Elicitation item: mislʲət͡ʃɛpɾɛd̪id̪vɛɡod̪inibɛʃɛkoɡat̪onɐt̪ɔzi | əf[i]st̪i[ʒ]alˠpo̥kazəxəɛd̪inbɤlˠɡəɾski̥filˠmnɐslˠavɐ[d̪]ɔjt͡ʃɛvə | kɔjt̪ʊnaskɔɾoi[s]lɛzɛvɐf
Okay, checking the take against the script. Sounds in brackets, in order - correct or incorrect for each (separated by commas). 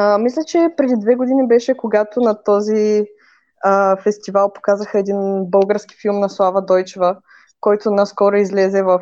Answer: incorrect, incorrect, correct, incorrect